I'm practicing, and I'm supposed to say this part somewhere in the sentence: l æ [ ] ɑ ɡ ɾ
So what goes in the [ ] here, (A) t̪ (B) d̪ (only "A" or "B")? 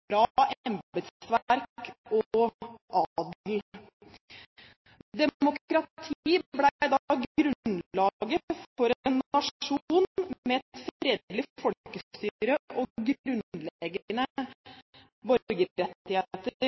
B